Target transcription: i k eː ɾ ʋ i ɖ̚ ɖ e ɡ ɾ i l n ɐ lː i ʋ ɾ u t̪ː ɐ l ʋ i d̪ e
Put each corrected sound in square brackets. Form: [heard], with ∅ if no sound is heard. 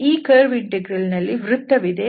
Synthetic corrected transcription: [iː] k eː ɾ ʋ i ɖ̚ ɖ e ɡ ɾ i l n ɐ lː i ʋ ɾ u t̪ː ɐ [∅] ʋ i d̪ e